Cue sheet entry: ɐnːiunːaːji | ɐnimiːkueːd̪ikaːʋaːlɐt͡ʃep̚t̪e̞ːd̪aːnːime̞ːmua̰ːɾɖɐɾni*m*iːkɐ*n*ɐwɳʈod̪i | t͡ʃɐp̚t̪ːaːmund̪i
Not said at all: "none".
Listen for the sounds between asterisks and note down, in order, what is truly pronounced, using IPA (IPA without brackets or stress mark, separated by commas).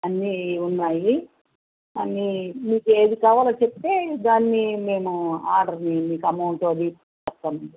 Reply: m, m